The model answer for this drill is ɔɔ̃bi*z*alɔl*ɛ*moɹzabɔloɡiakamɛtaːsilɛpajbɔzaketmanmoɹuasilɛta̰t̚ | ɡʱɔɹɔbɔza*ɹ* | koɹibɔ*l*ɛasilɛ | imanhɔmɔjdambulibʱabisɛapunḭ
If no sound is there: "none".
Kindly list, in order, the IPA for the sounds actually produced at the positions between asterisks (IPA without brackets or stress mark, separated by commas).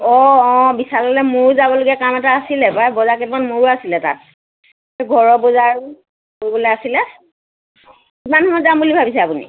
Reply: s, ɛ, ɹ, l